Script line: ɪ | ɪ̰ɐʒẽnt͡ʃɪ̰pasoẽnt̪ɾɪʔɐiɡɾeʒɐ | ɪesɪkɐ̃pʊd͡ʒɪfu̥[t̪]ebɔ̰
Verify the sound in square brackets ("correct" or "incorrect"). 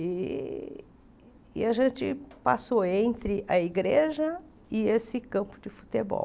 correct